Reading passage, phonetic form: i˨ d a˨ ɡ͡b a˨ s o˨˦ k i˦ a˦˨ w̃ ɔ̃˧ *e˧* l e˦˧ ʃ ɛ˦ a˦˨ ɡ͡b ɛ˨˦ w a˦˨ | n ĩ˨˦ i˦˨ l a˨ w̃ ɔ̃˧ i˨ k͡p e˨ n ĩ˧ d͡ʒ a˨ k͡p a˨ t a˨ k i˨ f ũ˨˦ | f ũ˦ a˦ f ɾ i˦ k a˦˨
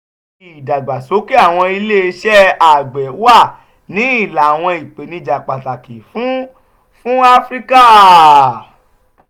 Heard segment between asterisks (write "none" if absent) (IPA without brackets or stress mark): i˧